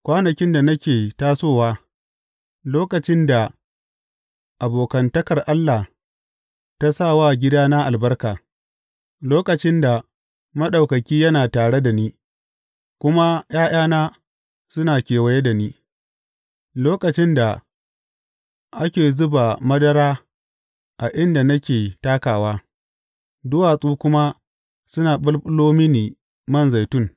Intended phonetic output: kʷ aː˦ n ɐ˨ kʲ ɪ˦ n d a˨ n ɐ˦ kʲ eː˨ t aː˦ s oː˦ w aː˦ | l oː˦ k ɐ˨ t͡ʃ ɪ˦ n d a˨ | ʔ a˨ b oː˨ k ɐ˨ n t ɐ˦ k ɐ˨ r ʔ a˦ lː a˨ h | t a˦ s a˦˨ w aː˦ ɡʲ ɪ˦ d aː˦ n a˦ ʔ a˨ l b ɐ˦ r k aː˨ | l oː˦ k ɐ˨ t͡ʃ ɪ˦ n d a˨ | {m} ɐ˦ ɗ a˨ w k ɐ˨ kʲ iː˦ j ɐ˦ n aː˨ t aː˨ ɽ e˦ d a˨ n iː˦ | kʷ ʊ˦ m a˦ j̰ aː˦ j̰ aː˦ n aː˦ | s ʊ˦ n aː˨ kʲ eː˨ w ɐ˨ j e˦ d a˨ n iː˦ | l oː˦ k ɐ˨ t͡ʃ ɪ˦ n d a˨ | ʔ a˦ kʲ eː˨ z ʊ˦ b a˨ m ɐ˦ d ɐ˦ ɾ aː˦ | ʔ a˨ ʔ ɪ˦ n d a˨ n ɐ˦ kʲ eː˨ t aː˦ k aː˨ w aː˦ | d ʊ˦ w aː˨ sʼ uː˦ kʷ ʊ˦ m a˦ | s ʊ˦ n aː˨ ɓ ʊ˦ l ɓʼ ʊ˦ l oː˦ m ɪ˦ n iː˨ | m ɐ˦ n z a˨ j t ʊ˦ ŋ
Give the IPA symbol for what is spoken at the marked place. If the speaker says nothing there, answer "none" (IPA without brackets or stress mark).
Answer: m